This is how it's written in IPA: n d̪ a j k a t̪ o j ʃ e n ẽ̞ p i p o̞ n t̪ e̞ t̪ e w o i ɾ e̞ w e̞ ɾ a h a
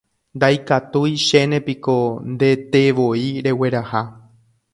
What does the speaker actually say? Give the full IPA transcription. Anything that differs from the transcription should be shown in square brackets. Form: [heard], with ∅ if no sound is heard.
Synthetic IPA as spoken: n d̪ a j k a t̪ [u] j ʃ e n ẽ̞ p i [k] o̞ n [d̪] e̞ t̪ e [ʋ] o i ɾ e̞ w e̞ ɾ a h a